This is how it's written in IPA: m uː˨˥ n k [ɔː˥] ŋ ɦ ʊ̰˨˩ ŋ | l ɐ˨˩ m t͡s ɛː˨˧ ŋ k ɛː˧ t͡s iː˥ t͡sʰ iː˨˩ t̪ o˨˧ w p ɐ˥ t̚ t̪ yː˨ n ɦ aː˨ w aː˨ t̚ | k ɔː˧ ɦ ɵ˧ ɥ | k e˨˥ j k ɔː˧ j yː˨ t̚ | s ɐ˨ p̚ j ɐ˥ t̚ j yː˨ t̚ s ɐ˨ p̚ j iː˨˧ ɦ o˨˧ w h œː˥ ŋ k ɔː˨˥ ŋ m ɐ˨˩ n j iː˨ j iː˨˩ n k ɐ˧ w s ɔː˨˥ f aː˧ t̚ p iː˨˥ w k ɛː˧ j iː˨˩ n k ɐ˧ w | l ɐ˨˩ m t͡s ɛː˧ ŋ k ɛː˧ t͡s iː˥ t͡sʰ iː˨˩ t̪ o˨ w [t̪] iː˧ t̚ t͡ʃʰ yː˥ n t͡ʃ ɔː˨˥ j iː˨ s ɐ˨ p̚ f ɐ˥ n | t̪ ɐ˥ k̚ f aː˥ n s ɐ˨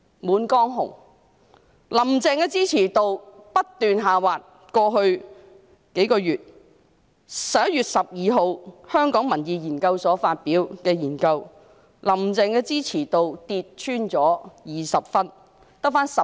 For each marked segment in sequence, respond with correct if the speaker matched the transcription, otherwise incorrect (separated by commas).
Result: correct, correct